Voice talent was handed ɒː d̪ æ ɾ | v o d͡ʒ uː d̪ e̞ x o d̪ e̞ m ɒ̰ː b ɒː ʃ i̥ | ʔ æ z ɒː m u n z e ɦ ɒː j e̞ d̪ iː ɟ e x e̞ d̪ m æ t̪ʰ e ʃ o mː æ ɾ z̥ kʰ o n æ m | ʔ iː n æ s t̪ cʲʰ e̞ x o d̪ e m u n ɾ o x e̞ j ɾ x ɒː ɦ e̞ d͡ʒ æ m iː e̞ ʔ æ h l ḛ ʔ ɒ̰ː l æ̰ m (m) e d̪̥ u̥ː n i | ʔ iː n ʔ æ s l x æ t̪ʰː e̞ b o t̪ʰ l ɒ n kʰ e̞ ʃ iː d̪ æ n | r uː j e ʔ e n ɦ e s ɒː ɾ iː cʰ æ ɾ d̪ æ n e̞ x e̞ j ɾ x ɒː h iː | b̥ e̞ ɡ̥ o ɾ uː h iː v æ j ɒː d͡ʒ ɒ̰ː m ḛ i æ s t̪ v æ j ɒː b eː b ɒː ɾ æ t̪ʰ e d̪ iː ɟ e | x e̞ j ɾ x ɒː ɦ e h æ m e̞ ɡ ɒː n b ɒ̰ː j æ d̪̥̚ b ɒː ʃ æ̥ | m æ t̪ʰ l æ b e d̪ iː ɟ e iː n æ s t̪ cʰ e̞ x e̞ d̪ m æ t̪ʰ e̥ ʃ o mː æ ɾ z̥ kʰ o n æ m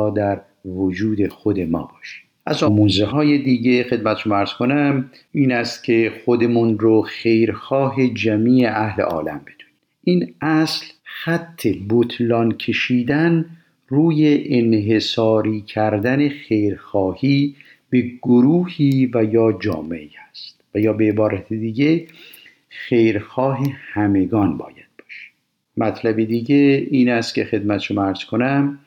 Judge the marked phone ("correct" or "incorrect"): incorrect